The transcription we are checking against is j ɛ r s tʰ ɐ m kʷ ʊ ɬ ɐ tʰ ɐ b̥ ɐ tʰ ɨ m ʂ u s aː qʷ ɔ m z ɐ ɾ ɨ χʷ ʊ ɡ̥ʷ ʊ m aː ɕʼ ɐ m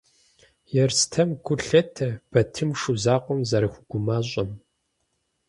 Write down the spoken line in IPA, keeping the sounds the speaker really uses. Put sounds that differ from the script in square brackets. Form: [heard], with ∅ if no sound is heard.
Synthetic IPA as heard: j ɛ r s tʰ ɐ m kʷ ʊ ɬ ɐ tʰ ɐ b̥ ɐ tʰ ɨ m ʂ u [z] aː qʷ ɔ m z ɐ ɾ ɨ [xʷ] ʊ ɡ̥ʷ ʊ m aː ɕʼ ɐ m